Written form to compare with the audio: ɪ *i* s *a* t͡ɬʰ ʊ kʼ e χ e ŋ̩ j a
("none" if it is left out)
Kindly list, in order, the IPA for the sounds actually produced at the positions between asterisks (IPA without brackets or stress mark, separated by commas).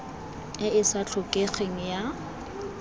ɪ, a